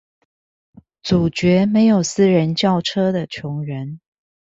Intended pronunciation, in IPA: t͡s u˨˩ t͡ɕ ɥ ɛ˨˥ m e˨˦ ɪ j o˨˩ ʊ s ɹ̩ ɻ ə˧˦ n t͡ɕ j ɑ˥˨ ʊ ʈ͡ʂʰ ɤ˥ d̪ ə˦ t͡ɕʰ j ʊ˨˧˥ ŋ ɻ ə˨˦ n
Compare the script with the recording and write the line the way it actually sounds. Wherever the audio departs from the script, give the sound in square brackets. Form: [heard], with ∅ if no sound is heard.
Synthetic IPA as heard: t͡s u˨˩ t͡ɕ ɥ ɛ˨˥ m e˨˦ ɪ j o˨˩ ʊ s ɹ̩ ɻ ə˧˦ n t͡ɕ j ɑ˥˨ ʊ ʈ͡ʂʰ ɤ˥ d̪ [ə˨] t͡ɕʰ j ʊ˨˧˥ ŋ ɻ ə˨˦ n